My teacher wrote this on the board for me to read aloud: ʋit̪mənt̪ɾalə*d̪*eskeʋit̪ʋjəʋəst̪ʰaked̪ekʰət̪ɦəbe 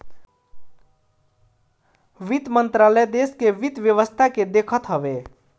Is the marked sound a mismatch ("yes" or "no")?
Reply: no